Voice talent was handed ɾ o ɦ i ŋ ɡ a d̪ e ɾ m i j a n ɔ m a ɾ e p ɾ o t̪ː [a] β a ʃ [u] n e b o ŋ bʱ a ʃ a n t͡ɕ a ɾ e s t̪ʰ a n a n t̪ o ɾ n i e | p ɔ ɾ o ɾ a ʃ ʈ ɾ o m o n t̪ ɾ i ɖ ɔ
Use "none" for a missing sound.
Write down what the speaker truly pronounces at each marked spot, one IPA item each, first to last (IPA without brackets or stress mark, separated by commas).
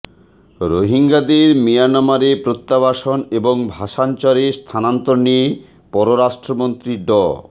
a, o